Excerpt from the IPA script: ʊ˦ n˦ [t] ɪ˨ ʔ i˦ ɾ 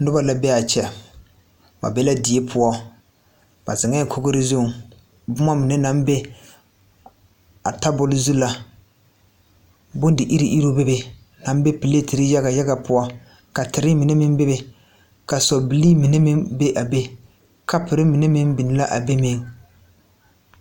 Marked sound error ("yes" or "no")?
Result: yes